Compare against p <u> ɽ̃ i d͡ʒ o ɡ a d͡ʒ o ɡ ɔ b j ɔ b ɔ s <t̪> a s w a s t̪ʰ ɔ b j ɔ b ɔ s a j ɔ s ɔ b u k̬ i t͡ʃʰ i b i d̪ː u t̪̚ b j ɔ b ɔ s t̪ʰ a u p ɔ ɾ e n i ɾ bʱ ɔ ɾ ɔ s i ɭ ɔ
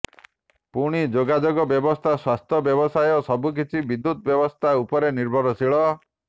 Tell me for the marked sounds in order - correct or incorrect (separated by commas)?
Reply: correct, incorrect